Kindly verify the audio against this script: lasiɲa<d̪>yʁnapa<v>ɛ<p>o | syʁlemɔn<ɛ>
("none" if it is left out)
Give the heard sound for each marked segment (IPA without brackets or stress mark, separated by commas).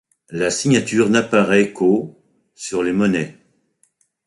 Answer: t̪, ʁ, k, ɛ